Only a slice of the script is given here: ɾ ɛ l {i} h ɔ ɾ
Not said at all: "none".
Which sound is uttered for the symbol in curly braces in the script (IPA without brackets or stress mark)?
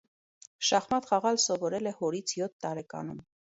ɛ